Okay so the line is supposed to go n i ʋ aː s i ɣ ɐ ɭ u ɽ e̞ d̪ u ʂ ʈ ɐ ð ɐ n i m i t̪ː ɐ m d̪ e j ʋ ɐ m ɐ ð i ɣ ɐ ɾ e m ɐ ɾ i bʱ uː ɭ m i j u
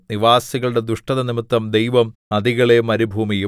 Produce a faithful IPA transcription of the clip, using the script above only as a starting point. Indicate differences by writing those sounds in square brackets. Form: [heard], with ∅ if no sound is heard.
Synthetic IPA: n i ʋ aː s i ɣ ɐ ɭ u ɽ e̞ d̪ u ʂ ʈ ɐ ð ɐ n i m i t̪ː ɐ m d̪ e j ʋ ɐ m ɐ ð i ɣ ɐ [ɭ] e m ɐ ɾ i bʱ uː [∅] m i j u